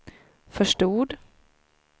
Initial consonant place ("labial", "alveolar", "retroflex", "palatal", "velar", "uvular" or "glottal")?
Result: labial